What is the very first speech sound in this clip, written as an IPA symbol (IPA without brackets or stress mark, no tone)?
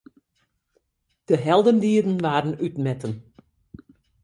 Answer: d̥